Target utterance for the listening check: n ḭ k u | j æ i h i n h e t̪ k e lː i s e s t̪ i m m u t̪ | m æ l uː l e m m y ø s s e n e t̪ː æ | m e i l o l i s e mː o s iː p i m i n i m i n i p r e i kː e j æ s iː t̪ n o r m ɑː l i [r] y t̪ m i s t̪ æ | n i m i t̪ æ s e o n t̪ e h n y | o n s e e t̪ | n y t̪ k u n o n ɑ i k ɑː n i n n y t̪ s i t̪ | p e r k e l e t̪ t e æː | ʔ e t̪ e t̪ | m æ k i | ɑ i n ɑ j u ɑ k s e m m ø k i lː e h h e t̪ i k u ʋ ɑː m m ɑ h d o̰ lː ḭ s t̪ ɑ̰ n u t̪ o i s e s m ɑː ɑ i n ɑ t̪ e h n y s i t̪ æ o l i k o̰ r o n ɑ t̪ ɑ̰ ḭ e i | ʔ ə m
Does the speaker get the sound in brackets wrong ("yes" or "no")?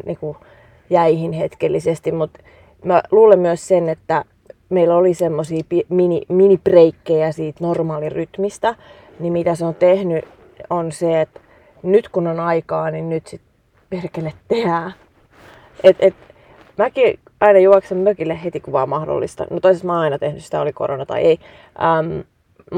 no